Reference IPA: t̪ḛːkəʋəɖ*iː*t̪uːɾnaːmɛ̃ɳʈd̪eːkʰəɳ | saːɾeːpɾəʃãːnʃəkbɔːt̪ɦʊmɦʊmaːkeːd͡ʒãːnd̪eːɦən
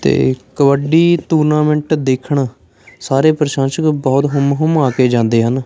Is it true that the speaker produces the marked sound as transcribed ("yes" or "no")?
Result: yes